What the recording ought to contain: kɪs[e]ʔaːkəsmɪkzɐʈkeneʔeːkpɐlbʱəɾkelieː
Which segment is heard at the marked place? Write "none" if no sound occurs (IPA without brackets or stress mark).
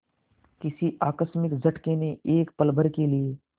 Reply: i